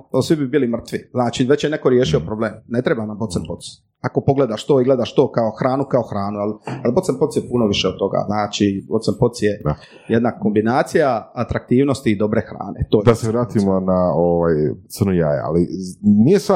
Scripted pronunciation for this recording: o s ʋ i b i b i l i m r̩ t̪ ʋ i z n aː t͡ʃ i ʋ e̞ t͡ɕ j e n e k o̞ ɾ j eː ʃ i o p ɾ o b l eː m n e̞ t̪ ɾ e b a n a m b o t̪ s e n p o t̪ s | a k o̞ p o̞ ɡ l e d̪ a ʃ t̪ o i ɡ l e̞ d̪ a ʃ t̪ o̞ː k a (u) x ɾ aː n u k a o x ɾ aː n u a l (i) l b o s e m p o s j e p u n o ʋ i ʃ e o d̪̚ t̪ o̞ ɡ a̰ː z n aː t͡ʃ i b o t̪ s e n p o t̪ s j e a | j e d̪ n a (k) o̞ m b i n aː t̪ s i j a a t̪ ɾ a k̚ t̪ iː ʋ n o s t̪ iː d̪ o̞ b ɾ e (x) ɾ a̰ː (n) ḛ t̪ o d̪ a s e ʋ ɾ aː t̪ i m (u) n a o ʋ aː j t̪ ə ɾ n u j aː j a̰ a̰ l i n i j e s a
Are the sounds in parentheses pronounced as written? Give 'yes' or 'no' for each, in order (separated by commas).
no, no, yes, yes, yes, no